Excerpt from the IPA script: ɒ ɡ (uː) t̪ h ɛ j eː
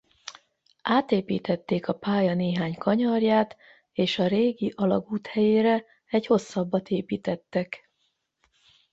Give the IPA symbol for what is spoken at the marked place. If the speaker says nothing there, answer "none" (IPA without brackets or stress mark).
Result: uː